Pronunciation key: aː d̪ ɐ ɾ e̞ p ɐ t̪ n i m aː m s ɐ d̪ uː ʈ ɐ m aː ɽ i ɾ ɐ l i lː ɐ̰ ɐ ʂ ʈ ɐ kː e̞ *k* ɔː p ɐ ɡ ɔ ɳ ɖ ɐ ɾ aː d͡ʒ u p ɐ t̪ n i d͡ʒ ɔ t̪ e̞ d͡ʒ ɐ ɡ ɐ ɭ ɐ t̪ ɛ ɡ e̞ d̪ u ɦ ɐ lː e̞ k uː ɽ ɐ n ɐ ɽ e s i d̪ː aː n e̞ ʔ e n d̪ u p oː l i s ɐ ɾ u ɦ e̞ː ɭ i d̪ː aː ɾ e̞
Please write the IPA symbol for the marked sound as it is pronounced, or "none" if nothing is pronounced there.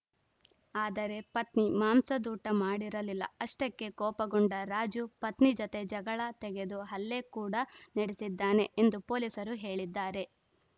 k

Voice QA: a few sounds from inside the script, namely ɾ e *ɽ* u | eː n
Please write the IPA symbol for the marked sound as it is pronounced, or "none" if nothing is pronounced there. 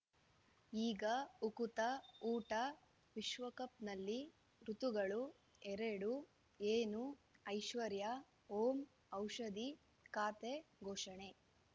ɽ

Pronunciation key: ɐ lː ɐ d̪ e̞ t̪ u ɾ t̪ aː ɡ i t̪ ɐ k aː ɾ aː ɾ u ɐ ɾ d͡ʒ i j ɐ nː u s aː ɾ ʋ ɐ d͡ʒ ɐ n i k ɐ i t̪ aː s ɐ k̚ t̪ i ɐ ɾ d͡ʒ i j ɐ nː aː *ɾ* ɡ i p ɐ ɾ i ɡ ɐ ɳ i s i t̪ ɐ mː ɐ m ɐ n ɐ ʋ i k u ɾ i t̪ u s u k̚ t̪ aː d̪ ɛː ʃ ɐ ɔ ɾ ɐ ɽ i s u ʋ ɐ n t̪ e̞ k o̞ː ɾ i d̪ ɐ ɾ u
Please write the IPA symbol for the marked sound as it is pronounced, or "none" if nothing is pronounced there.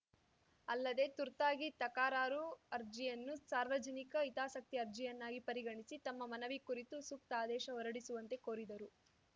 none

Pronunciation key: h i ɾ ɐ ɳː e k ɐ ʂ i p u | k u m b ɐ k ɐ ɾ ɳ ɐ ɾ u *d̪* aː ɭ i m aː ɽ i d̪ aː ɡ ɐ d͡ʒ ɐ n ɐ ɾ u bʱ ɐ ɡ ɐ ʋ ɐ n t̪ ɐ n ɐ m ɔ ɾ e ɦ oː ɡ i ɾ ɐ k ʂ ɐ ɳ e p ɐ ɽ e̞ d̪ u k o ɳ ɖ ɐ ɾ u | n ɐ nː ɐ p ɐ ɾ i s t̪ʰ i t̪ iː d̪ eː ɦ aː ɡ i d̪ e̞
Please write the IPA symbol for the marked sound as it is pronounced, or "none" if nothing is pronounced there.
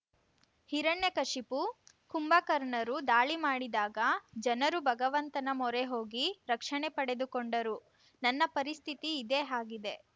d̪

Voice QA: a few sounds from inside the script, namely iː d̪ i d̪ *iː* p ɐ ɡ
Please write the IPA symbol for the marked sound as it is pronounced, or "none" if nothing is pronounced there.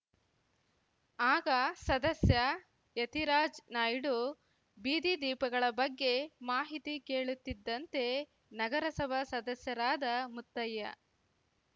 iː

